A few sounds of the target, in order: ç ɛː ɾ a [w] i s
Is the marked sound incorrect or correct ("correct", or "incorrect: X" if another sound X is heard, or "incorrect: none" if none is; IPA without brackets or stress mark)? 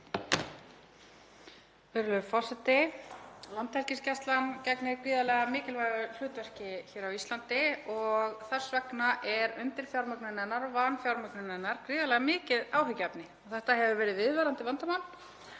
correct